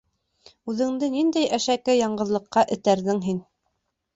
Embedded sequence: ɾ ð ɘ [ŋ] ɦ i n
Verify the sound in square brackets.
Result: correct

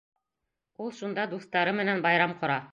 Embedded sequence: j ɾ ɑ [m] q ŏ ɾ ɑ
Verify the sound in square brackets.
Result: correct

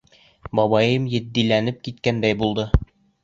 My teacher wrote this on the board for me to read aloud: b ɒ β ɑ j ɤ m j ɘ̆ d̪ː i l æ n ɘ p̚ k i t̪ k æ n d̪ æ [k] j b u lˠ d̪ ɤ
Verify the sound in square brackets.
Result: incorrect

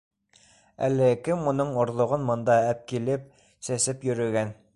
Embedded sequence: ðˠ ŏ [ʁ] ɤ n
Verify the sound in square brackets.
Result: correct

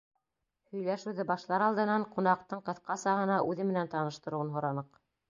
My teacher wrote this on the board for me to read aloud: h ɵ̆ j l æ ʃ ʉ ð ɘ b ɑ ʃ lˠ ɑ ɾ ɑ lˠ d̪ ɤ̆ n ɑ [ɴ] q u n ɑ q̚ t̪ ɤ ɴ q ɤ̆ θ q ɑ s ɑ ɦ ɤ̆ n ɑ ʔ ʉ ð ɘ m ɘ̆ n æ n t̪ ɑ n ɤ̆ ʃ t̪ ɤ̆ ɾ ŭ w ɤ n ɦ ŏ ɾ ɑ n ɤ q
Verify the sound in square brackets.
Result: correct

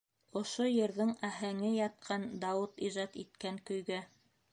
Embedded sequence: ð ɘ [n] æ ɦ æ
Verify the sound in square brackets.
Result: incorrect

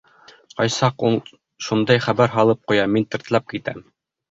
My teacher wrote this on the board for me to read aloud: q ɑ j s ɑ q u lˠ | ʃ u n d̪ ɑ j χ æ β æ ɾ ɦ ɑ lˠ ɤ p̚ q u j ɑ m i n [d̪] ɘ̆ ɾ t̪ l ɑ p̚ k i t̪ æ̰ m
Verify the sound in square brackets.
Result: incorrect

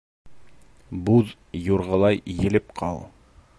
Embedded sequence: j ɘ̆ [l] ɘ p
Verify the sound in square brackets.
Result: correct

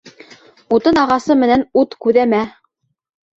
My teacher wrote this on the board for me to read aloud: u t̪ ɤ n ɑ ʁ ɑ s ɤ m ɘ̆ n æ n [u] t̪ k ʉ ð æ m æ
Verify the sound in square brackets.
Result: correct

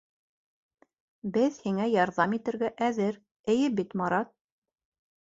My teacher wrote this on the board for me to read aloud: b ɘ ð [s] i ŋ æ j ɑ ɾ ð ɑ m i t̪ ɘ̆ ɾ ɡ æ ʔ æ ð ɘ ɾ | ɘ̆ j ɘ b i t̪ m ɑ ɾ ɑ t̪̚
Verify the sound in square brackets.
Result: incorrect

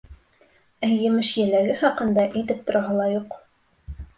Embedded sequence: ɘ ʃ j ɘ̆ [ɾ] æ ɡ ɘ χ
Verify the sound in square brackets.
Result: incorrect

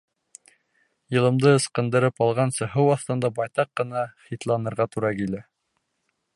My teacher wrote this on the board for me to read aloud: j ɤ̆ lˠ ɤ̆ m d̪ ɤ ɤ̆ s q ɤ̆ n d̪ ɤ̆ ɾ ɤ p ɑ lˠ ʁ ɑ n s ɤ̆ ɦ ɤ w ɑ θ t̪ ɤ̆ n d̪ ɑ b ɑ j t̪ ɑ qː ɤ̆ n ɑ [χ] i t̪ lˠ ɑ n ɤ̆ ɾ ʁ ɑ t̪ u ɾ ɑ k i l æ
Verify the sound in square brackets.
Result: correct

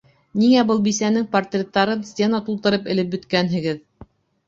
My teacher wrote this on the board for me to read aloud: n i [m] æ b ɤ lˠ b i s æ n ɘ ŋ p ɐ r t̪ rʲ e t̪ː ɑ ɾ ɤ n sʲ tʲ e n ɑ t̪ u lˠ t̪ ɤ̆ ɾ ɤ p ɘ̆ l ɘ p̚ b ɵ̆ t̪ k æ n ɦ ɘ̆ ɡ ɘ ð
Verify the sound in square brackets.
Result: incorrect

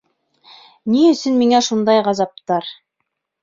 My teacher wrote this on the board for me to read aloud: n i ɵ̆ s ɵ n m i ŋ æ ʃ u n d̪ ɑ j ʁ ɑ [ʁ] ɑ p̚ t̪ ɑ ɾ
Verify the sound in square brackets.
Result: incorrect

